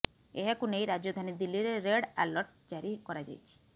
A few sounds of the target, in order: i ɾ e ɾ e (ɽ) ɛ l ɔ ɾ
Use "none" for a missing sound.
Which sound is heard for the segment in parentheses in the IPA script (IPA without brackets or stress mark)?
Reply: ɽ